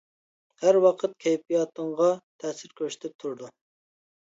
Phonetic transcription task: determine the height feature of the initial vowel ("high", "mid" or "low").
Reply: low